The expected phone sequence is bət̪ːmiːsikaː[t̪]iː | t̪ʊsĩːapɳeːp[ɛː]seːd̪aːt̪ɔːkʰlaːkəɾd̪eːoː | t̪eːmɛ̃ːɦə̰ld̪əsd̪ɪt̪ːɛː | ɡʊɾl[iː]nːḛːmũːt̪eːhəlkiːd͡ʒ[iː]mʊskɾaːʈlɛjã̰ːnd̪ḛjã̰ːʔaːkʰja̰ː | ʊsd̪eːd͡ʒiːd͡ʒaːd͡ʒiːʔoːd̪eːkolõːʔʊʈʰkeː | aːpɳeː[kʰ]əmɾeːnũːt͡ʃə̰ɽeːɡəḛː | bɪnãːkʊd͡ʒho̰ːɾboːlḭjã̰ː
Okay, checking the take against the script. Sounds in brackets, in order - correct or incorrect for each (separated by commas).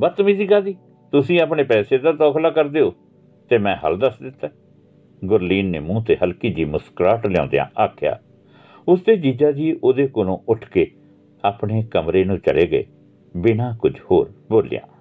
incorrect, correct, correct, correct, incorrect